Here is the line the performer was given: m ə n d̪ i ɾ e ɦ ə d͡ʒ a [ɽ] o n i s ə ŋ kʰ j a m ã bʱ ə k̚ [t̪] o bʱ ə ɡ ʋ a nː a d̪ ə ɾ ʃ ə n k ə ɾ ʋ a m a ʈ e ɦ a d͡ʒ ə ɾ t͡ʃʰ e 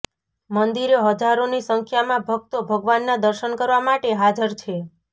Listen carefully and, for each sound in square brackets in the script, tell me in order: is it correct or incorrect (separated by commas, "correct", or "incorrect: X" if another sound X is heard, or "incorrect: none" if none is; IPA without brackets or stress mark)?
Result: incorrect: ɾ, correct